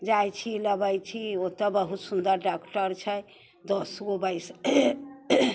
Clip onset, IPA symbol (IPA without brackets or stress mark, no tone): d͡ʒ